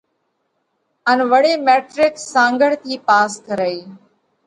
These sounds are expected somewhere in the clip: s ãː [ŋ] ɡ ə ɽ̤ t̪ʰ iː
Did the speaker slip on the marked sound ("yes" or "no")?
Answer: no